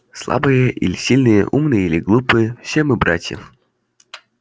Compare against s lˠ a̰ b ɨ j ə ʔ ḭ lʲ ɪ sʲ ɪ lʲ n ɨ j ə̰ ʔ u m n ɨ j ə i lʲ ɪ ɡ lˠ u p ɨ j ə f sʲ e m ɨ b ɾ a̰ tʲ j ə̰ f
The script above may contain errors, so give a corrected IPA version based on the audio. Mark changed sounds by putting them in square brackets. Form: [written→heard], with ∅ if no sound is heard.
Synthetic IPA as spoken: s lˠ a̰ b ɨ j ə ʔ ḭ lʲ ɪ sʲ [ɪ→i] lʲ n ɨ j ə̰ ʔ u m n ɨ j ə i lʲ ɪ ɡ lˠ u p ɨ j ə f sʲ e m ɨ b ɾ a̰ tʲ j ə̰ f